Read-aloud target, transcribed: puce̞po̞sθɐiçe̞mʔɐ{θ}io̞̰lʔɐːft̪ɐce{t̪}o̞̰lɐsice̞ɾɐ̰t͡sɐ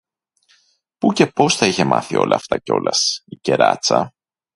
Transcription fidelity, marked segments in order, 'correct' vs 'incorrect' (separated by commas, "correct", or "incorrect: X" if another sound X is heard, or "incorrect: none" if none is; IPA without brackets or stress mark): correct, incorrect: none